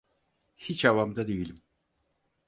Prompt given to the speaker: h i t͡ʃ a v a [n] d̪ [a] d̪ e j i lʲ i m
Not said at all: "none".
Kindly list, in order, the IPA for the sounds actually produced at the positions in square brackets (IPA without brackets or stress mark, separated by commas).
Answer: m, a